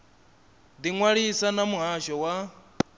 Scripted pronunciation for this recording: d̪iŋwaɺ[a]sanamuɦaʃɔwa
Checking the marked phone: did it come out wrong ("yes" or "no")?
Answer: yes